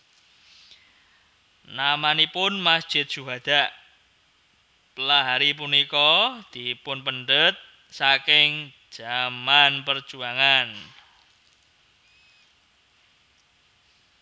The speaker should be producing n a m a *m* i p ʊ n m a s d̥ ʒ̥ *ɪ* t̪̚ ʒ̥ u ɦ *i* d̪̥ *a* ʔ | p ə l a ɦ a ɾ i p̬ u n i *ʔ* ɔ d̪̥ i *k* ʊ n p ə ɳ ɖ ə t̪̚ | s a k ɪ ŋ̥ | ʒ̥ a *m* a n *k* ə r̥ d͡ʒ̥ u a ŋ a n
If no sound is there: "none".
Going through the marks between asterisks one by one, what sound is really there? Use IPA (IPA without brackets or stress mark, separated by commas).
n, ɪ, a, a, k, p, m, p